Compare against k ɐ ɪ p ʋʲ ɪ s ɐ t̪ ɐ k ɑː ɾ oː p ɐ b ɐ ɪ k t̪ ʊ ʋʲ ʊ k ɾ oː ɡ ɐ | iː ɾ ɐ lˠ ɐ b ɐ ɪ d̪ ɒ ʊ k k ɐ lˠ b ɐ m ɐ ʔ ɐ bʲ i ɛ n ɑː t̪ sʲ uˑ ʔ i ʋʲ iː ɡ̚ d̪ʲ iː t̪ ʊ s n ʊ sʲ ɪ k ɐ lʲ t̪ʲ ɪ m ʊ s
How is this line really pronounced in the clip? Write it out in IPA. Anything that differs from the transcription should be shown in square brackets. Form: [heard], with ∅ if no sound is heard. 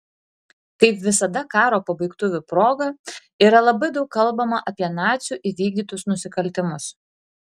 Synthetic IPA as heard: k ɐ ɪ p ʋʲ ɪ s ɐ [d̪] ɐ k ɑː ɾ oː p ɐ b ɐ ɪ k t̪ ʊ ʋʲ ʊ [p] ɾ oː ɡ ɐ | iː ɾ ɐ lˠ ɐ b ɐ ɪ d̪ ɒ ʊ k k ɐ lˠ b ɐ m ɐ ʔ ɐ [pʲ] i ɛ n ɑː t̪ sʲ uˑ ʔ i ʋʲ iː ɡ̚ d̪ʲ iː t̪ ʊ s n ʊ sʲ ɪ k ɐ lʲ t̪ʲ ɪ m ʊ s